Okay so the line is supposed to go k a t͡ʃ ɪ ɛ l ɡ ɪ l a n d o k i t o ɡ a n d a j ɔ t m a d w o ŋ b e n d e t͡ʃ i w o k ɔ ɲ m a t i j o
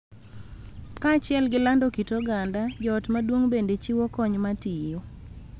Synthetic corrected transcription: k a t͡ʃ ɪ ɛ l ɡ ɪ l a n d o k i t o ɡ a n d a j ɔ t m a d w o ŋ b e n d e t͡ʃ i w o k ɔ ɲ m a t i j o